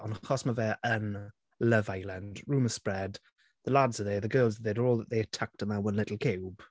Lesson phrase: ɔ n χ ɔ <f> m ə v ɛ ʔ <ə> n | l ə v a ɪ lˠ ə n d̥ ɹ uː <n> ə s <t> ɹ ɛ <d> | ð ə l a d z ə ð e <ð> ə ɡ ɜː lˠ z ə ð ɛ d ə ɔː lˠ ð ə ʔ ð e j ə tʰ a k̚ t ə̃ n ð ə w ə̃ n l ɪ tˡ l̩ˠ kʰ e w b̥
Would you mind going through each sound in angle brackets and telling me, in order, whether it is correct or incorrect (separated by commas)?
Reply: incorrect, correct, incorrect, incorrect, correct, correct